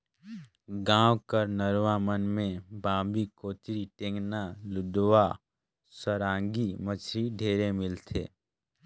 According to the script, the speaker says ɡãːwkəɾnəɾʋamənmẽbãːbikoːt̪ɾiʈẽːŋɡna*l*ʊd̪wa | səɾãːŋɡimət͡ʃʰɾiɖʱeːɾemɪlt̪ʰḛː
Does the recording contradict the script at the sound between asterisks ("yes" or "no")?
no